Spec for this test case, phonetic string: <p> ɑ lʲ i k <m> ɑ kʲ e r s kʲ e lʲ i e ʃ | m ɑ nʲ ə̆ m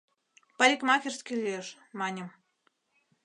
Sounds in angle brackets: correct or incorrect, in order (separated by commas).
correct, correct